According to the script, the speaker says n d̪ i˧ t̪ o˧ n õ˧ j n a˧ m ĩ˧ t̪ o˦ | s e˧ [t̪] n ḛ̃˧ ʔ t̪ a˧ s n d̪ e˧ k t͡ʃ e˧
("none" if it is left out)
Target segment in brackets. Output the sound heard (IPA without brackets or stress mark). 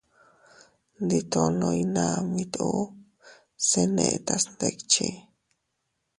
none